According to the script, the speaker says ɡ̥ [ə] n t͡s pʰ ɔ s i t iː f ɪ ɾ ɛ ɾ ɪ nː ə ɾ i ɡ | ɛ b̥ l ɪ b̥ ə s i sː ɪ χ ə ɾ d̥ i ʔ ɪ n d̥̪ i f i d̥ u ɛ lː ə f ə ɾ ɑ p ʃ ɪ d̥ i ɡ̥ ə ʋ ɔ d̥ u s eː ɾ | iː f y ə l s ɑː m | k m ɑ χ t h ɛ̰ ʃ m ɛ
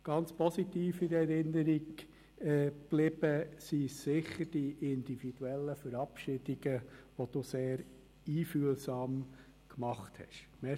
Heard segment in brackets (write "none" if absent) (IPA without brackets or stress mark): ɑ